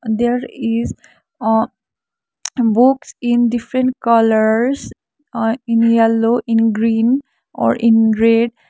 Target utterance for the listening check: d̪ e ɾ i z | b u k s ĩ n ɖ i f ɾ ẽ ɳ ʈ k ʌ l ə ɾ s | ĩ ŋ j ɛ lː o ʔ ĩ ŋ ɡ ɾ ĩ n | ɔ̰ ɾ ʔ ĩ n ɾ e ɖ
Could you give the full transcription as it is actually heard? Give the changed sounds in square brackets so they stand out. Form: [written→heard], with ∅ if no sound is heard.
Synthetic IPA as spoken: d̪ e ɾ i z | b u k s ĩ n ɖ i f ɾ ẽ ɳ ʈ k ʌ l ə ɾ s | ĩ [ŋ→n] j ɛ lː o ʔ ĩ [ŋ→n] ɡ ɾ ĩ n | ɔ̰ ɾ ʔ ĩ n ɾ e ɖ